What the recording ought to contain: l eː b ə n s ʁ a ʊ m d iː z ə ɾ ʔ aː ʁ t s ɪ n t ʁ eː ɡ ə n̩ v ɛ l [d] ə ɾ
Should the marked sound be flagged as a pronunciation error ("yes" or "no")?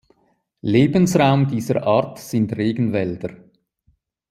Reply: no